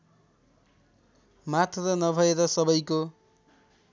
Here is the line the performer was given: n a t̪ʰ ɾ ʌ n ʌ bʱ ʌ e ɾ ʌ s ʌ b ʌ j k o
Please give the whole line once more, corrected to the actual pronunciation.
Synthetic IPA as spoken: m a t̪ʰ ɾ ʌ n ʌ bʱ ʌ e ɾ ʌ s ʌ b ʌ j k o